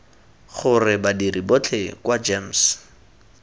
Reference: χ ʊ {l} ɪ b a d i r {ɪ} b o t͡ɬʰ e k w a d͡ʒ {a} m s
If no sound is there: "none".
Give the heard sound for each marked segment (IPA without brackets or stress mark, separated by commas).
r, i, e